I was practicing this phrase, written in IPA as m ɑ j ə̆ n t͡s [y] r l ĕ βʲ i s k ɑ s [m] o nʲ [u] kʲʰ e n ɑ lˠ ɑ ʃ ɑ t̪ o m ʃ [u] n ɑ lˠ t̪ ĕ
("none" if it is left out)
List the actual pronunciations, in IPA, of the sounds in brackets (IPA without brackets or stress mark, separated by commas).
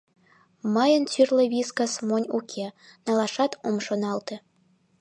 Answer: y, m, u, o